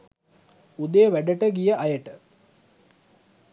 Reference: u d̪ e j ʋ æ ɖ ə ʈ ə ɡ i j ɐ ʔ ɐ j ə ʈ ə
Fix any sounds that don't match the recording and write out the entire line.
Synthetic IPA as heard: u d̪ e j ʋ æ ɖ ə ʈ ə ɡ i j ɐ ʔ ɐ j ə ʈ ə